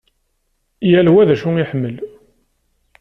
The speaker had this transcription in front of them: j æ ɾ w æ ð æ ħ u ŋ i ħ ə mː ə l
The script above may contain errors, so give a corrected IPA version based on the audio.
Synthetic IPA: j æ l w æ ð æ ʃ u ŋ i ħ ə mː ə l